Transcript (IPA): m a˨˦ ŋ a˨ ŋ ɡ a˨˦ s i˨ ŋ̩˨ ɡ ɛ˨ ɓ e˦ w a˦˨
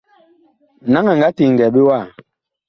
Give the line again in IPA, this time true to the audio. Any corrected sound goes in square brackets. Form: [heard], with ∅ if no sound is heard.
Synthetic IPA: [n] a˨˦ ŋ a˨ ŋ ɡ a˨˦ [t] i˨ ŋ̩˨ ɡ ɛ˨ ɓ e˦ w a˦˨

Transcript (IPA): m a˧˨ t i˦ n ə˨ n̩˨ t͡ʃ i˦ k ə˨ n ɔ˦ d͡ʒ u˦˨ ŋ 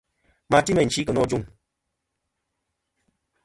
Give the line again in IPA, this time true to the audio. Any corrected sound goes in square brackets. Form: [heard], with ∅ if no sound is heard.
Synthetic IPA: m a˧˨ t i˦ [m] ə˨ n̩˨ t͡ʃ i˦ k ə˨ n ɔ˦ d͡ʒ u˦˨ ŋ

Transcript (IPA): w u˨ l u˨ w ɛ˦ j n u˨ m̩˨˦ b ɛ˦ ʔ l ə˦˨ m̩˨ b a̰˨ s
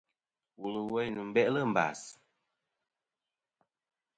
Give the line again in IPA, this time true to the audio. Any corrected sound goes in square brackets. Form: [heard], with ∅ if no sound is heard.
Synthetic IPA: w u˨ l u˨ w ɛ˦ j n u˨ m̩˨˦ b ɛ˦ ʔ l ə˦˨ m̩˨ b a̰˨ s

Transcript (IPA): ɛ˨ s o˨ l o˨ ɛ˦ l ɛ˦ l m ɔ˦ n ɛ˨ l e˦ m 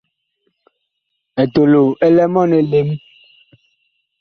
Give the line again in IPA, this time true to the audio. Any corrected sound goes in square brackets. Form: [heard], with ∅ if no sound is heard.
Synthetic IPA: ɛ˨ [t] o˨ l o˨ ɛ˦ l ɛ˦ [∅] m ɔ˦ n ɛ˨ l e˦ m

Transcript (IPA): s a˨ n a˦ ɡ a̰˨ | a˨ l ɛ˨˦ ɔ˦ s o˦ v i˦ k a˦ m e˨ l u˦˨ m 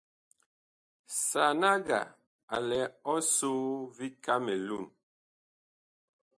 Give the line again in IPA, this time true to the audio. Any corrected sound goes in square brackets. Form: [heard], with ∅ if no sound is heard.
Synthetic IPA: s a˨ n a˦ ɡ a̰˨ | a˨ l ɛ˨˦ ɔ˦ s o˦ v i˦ k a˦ m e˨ l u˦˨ [n]

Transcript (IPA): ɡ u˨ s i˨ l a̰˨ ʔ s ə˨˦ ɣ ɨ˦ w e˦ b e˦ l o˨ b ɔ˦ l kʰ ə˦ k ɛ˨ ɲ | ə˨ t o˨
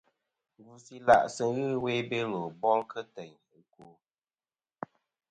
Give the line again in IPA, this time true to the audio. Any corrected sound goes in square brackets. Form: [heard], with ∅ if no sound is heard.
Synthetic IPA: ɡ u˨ s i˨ l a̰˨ ʔ s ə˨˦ ɣ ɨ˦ w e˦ b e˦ l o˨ b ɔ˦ l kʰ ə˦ [t] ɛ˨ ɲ | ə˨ [k] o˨

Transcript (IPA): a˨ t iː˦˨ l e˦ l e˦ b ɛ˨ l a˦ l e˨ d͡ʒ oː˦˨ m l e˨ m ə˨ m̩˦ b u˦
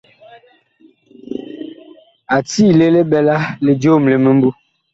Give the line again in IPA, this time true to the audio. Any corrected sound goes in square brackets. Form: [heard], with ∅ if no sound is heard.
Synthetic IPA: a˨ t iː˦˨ l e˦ l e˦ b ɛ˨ l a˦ l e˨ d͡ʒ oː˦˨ m l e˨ m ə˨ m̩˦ b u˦

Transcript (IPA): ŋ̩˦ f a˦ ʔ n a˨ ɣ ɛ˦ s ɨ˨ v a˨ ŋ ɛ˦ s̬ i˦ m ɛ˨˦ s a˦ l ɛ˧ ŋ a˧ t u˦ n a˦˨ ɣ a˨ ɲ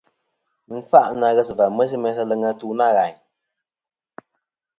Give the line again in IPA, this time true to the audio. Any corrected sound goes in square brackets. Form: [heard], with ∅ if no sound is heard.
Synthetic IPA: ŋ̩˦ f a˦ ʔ n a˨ ɣ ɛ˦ s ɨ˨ v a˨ [m] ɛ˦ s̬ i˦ m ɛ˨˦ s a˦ l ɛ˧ ŋ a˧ t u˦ n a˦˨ ɣ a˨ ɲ

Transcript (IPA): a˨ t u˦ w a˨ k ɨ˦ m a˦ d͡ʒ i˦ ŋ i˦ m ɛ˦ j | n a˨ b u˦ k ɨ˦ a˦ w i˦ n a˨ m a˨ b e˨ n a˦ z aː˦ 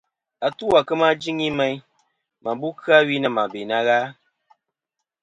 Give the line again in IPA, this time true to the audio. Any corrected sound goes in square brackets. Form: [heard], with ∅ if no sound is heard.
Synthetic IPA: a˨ t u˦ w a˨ k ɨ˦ m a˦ d͡ʒ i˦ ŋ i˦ m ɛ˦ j | [m] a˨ b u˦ k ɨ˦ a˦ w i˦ n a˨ m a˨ b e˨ n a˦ [ɣ] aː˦

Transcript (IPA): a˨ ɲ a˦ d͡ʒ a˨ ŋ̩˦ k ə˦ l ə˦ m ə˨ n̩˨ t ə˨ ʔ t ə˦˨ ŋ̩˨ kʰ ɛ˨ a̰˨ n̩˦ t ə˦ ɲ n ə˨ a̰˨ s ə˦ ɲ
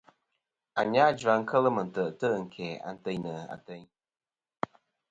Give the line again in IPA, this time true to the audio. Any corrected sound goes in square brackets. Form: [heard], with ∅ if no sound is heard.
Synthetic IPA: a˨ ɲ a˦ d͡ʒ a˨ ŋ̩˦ k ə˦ l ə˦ m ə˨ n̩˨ t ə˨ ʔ t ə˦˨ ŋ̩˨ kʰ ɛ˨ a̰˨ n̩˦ t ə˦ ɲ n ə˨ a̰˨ [t] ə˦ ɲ

